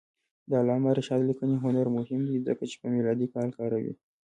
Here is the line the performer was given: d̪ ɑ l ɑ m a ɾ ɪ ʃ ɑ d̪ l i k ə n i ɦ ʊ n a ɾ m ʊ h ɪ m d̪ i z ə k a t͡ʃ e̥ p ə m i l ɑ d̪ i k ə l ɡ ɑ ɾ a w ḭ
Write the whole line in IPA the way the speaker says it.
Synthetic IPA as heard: d̪ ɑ l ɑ m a ɾ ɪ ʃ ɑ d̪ l i k ə n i ɦ ʊ n a ɾ m ʊ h ɪ m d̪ i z ə k a t͡ʃ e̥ p ə m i l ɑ d̪ i k ɑ l k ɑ ɾ a w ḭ